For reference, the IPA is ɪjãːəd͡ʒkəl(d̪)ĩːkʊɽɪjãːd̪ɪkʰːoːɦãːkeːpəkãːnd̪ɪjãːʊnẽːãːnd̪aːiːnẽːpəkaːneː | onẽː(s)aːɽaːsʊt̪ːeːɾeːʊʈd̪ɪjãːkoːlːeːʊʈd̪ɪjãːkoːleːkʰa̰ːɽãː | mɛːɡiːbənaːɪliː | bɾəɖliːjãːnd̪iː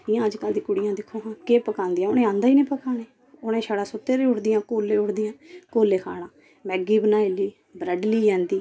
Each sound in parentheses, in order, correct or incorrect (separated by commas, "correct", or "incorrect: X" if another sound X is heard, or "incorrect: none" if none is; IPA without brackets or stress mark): correct, incorrect: ʃ